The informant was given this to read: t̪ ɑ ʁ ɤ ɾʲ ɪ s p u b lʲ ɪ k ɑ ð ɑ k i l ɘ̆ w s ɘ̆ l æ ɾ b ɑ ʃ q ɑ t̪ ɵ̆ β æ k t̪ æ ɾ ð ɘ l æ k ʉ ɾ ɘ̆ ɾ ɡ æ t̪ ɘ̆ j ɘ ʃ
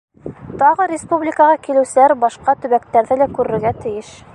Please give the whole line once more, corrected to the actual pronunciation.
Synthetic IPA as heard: t̪ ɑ ʁ ɤ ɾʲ ɪ s p u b lʲ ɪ k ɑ ʁ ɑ k i l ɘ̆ w s ɘ̆ l æ ɾ b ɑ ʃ q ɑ t̪ ɵ̆ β æ k t̪ æ ɾ ð ɘ l æ k ʉ ɾ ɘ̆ ɾ ɡ æ t̪ ɘ̆ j ɘ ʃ